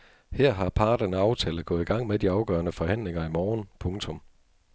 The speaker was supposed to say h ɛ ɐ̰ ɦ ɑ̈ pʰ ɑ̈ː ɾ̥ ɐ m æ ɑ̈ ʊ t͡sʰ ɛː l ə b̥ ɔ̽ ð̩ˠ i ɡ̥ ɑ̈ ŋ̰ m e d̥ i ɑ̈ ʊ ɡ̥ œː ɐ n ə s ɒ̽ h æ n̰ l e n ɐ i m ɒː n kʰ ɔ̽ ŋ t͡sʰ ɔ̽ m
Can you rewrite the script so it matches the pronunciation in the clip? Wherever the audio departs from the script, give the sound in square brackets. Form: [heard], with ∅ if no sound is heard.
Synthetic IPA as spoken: h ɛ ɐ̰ ɦ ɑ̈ pʰ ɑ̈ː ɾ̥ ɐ [n] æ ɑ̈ ʊ t͡sʰ ɛː l ə [ɡ̥] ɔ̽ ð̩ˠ i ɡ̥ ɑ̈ ŋ̰ m e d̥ i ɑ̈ ʊ ɡ̥ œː ɐ n ə [f] ɒ̽ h æ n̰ l e [ŋ] ɐ i m ɒː n [pʰ] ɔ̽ ŋ t͡sʰ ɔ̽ m